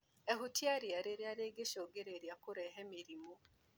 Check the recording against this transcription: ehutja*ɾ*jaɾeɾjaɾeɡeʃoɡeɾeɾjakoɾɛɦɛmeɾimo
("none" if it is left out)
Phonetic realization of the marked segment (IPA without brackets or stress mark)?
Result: ɾ